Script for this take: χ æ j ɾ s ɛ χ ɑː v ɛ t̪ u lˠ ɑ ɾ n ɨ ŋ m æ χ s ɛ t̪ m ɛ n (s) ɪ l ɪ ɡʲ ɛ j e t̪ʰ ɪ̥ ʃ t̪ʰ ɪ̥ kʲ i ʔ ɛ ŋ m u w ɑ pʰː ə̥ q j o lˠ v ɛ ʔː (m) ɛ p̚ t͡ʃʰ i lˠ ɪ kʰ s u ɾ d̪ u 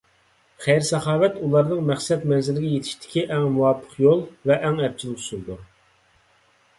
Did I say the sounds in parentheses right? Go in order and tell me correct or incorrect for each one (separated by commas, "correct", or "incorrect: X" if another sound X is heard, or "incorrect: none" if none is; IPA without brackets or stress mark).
incorrect: z, incorrect: ŋ